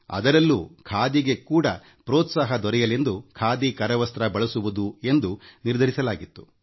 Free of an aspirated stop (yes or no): no